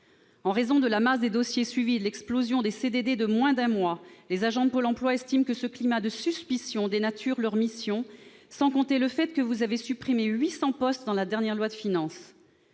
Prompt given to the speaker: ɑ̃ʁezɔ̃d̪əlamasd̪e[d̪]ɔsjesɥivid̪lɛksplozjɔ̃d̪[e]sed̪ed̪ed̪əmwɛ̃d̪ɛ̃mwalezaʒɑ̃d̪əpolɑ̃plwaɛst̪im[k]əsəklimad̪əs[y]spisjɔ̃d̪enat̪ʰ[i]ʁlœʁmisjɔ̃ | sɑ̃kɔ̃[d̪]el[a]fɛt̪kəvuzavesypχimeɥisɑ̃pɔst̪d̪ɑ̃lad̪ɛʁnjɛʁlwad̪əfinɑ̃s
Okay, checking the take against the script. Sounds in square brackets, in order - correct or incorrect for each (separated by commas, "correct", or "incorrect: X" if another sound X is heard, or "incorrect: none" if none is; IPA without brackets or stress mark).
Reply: correct, correct, correct, correct, incorrect: y, incorrect: t̪, incorrect: ə